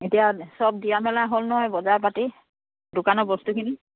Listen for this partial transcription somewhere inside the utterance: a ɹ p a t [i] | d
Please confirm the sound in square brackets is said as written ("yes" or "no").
yes